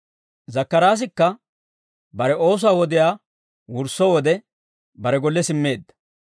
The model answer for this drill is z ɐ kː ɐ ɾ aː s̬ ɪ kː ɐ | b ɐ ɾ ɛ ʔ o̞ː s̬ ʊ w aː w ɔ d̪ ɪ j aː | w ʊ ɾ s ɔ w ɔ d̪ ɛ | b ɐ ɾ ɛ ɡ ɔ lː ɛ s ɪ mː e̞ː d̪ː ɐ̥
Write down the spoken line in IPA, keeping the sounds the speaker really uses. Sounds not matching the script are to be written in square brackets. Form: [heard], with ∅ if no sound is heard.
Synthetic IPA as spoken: z ɐ kː ɐ ɾ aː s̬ ɪ kː ɐ | b ɐ ɾ ɛ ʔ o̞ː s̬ ʊ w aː w ɔ d̪ ɪ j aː | w ʊ ɾ s ɔ w ɔ d̪ ɛ | b ɐ ɾ ɛ ɡ ɔ lː ɛ s ɪ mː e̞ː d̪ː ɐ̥